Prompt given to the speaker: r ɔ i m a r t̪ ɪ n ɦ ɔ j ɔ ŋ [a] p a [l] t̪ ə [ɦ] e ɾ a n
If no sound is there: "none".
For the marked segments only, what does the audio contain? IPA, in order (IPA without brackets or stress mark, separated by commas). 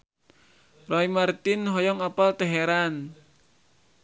a, l, ɦ